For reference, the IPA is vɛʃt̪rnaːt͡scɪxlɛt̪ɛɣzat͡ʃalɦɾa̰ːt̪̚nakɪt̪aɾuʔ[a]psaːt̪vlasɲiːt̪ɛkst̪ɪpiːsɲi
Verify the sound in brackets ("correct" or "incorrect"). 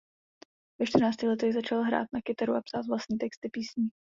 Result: correct